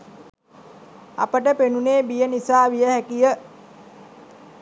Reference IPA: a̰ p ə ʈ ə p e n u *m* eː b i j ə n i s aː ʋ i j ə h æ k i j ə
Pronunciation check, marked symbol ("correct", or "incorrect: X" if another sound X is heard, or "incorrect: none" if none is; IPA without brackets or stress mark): incorrect: n